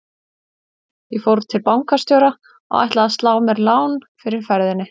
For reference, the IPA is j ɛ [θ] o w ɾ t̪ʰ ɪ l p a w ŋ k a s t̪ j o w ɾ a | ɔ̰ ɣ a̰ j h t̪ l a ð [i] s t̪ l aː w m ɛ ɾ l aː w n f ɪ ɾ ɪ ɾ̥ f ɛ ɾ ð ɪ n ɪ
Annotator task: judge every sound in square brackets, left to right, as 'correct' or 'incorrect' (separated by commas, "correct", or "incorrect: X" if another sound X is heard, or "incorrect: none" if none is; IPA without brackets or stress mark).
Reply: incorrect: f, incorrect: a